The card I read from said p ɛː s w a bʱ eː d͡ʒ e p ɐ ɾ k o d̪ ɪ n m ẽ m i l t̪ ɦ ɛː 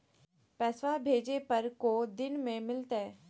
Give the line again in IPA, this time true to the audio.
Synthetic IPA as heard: p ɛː s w a bʱ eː d͡ʒ e p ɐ ɾ k o d̪ ɪ n m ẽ m ɪ l t̪ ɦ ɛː